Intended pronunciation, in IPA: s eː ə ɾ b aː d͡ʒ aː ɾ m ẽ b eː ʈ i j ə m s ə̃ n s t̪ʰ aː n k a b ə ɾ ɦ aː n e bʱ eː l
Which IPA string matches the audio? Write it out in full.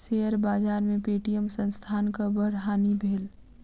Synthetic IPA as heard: s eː ə ɾ b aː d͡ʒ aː ɾ m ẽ p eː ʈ i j ə m s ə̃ n s t̪ʰ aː n k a b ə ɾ ɦ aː n i bʱ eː l